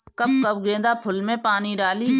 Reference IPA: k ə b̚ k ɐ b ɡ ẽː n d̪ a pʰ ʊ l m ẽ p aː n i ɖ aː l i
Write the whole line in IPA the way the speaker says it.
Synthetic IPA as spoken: k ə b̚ k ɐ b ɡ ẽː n d̪ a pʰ ʊ l m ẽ p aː n i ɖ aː l i